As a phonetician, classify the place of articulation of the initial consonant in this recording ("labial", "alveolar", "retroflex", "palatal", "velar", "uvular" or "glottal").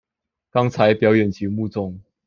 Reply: velar